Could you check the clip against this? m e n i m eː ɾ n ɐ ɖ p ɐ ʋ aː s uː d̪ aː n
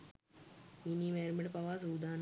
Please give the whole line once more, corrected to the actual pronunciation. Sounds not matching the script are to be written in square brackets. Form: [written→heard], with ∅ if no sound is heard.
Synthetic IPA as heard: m [e→i] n i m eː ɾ [n→m] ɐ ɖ p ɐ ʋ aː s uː d̪ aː n